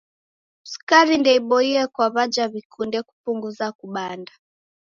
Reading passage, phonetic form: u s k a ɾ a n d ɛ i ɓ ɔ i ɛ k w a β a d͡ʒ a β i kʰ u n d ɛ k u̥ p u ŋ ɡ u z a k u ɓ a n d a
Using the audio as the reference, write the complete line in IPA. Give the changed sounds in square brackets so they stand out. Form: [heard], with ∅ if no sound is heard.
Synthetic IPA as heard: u s k a ɾ [i] n d ɛ i ɓ ɔ i ɛ k w a β a d͡ʒ a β i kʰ u n d ɛ k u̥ p u ŋ ɡ u z a k u ɓ a n d a